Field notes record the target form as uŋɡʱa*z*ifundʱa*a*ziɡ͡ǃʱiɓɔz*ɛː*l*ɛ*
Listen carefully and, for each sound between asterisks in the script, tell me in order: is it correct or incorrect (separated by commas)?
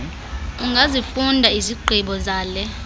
correct, incorrect, incorrect, correct